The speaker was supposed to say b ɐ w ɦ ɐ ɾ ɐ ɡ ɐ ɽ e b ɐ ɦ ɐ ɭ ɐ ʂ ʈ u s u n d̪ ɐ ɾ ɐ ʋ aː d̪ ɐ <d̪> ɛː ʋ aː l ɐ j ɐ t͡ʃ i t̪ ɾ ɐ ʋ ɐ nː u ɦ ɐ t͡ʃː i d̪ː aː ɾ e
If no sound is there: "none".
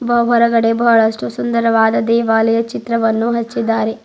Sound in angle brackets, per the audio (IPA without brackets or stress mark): d̪